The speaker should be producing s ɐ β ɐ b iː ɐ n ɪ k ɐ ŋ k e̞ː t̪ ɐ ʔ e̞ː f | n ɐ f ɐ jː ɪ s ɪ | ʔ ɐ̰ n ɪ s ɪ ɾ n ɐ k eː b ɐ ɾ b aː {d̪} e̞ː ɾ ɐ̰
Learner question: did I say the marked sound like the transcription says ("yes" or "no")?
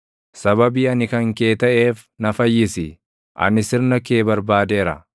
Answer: yes